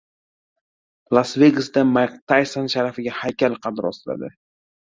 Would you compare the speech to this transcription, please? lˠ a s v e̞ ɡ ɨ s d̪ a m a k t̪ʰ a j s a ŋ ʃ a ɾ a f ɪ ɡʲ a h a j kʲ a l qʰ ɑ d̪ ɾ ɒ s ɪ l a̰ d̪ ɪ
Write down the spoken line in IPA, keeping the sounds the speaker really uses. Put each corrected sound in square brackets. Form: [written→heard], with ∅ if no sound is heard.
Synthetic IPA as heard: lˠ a s v e̞ ɡ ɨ s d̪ a m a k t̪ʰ a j s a [ŋ→n] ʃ a ɾ a f ɪ ɡʲ a h a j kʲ a l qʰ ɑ d̪ ɾ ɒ s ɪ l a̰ d̪ ɪ